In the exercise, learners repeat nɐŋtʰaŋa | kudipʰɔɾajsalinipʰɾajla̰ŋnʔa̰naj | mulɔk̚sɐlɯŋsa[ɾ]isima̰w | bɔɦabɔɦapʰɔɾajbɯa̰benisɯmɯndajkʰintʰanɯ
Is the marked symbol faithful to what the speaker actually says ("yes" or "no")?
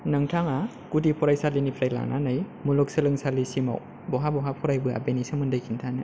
no